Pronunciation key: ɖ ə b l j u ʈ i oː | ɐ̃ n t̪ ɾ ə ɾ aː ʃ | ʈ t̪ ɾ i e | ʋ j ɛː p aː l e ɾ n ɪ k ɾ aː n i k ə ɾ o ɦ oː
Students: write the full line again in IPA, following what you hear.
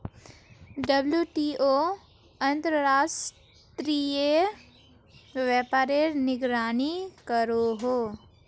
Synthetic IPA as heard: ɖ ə b l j u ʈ i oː | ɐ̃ n t̪ ɾ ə ɾ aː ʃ | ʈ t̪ ɾ i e | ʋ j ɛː p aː ɾ e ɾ n ɪ ɡ ɾ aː n i k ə ɾ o ɦ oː